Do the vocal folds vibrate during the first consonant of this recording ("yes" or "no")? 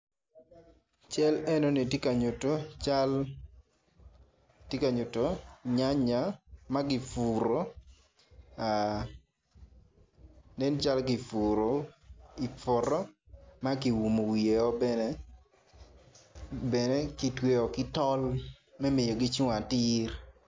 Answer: no